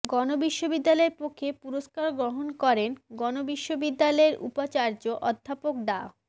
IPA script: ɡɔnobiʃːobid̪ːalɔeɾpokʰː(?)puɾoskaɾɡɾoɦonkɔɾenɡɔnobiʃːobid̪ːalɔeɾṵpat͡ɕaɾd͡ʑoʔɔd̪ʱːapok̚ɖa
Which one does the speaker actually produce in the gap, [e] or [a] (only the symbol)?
e